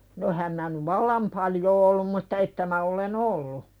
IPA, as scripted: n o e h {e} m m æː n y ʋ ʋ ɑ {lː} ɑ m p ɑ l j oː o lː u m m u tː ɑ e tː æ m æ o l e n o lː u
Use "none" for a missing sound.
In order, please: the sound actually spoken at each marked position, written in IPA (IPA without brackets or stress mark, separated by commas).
æ, lː